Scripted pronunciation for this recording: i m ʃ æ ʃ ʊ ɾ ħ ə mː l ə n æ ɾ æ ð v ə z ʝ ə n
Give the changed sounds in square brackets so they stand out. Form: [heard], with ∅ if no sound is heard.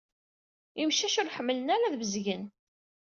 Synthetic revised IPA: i m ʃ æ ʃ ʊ ɾ ħ ə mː l ə n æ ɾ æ ð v ə z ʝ ə n